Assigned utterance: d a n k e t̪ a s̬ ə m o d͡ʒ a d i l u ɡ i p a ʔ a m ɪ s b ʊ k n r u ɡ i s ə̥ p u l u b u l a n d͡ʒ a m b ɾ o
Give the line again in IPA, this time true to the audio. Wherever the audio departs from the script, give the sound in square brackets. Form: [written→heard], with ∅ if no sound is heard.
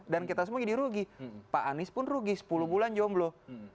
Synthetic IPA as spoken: d a n k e t̪ a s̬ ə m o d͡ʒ a d i [l→ɾ] u ɡ i p a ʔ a [m→n] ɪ s [b→p] ʊ [k→∅] n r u ɡ i s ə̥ p u l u b u l a n d͡ʒ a m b [ɾ→l] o